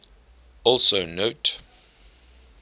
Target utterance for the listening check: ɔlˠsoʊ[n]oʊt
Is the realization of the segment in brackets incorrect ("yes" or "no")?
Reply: no